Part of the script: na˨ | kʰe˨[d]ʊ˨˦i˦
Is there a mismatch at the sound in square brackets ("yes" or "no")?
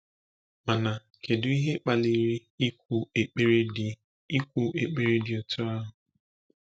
no